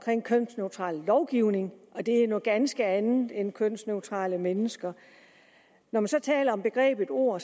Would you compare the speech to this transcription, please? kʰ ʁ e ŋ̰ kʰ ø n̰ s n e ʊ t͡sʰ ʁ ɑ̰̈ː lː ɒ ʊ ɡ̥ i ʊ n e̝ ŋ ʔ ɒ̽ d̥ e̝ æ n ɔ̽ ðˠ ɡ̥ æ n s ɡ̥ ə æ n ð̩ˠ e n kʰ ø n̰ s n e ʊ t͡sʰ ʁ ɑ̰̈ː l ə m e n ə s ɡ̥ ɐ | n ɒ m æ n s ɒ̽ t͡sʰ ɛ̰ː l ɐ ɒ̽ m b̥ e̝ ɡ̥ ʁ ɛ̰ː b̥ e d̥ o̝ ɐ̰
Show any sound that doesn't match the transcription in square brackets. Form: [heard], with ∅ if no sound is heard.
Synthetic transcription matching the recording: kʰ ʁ e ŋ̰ kʰ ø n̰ s n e ʊ t͡sʰ ʁ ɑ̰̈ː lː ɒ ʊ ɡ̥ i ʊ n e̝ ŋ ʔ ɒ̽ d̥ e̝ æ n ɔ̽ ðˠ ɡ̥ æ n s ɡ̥ ə æ n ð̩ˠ e n kʰ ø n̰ s n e ʊ t͡sʰ ʁ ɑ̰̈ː l ə m e n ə s ɡ̥ ɐ | n ɒ m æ n s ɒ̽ t͡sʰ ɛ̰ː l ɐ ɒ̽ m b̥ e̝ ɡ̥ ʁ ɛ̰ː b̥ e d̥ o̝ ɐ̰

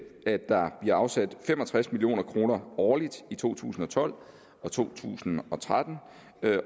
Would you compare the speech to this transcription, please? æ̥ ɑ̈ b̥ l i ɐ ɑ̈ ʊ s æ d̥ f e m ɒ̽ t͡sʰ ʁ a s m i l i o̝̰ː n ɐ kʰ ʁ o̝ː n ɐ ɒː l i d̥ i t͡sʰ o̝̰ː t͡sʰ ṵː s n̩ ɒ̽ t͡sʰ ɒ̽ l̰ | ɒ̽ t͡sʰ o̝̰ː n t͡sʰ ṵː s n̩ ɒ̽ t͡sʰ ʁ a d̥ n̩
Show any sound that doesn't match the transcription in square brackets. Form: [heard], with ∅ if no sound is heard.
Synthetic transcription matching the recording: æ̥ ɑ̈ b̥ l i ɐ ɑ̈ ʊ s æ d̥ f e m ɒ̽ t͡sʰ ʁ a s m i l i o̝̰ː n ɐ kʰ ʁ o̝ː n ɐ ɒː l i d̥ i t͡sʰ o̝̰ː t͡sʰ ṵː s n̩ ɒ̽ t͡sʰ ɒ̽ l̰ | ɒ̽ t͡sʰ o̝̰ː [∅] t͡sʰ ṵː s n̩ ɒ̽ t͡sʰ ʁ a d̥ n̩

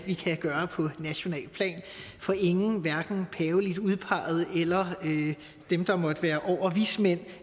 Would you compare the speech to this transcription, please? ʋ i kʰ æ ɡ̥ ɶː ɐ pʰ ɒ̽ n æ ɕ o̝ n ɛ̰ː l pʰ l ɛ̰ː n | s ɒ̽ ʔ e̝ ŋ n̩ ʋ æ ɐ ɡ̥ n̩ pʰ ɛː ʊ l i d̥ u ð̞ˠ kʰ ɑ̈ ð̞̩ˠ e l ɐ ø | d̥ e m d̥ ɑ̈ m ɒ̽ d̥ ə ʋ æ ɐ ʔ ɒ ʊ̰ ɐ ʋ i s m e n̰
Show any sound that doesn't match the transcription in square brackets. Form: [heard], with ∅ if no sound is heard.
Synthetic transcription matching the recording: ʋ i kʰ æ ɡ̥ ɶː ɐ pʰ ɒ̽ n æ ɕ o̝ n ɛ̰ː l pʰ l ɛ̰ː n | [f] ɒ̽ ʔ e̝ ŋ n̩ ʋ æ ɐ ɡ̥ n̩ pʰ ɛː ʊ l i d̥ u ð̞ˠ [pʰ] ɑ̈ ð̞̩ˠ e l ɐ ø | d̥ e m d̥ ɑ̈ m ɒ̽ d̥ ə ʋ [æː] ɐ ʔ ɒ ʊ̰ ɐ ʋ i s m e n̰

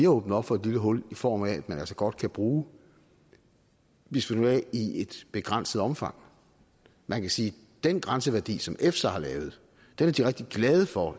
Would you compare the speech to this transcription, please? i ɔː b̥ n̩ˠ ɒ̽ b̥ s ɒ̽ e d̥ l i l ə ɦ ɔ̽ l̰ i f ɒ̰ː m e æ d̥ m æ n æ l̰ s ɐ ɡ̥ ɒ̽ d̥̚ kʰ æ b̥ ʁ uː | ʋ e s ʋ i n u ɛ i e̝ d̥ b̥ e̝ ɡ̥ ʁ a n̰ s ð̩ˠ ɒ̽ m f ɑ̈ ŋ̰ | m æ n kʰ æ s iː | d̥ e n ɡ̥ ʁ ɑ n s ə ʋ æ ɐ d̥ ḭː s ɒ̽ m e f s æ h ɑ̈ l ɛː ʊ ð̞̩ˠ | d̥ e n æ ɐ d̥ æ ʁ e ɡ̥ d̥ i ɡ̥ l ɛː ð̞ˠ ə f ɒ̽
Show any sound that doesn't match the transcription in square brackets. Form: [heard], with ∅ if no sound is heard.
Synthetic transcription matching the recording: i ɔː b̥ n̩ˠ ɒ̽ b̥ [f] ɒ̽ e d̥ l i l ə ɦ ɔ̽ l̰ i f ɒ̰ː m [æ] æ d̥ m æ n æ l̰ s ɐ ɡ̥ ɒ̽ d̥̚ kʰ æ b̥ ʁ uː | ʋ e s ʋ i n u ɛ i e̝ d̥ b̥ e̝ ɡ̥ ʁ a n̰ s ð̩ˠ ɒ̽ m f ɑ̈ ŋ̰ | m æ n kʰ æ s iː | d̥ e n ɡ̥ ʁ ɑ n s ə ʋ æ ɐ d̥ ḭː s ɒ̽ m e f s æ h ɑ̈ l ɛː ʊ ð̞̩ˠ | d̥ e n æ ɐ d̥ [i] ʁ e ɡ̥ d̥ i ɡ̥ l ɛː ð̞ˠ ə f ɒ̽

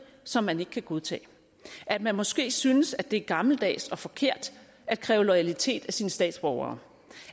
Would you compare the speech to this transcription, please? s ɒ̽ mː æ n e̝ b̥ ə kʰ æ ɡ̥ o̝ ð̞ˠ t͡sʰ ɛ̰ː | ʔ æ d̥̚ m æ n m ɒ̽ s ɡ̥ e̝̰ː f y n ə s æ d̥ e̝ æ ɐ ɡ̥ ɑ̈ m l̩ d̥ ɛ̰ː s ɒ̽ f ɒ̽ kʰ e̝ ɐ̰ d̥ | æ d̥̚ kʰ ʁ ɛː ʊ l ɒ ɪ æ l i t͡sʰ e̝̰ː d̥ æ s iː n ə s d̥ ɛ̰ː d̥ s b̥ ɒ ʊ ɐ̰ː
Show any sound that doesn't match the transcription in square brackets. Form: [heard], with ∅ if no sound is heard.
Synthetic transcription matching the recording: s ɒ̽ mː æ n e̝ [ɡ̥] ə kʰ æ ɡ̥ o̝ ð̞ˠ t͡sʰ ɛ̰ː | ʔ æ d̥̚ m æ n m ɒ̽ s ɡ̥ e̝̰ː [s] y n ə s æ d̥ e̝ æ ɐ ɡ̥ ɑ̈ m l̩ d̥ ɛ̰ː s ɒ̽ f ɒ̽ kʰ e̝ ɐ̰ d̥ | æ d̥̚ kʰ ʁ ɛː ʊ l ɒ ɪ æ l i t͡sʰ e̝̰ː d̥ æ s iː n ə s d̥ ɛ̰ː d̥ s b̥ ɒ ʊ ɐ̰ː

